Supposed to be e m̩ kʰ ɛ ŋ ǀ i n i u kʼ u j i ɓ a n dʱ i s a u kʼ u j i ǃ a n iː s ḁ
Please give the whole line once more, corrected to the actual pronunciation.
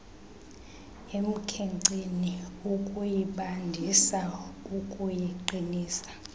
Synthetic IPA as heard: e m̩ kʰ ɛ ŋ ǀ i n i u kʼ u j i ɓ a n dʱ i s a u kʼ u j i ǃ i n iː s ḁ